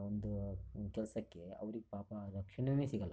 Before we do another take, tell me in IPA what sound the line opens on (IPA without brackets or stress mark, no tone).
o